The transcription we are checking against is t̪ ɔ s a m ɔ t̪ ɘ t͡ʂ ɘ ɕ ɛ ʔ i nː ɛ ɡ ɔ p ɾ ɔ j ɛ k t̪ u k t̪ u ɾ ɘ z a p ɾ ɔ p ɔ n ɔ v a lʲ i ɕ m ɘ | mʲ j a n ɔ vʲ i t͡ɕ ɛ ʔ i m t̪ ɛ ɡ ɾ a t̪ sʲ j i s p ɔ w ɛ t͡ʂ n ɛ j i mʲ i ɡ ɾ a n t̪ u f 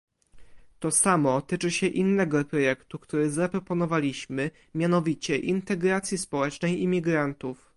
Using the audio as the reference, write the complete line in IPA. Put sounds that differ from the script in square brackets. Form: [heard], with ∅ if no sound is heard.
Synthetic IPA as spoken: t̪ ɔ s a m ɔ t̪ ɘ t͡ʂ ɘ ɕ ɛ ʔ i nː ɛ ɡ ɔ p ɾ ɔ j ɛ k t̪ u k t̪ u ɾ ɘ z a p ɾ ɔ p ɔ n ɔ v a lʲ i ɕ m ɘ | mʲ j a n ɔ vʲ i t͡ɕ ɛ ʔ i [n] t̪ ɛ ɡ ɾ a t̪ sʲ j i s p ɔ w ɛ t͡ʂ n ɛ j i mʲ i ɡ ɾ a n t̪ u f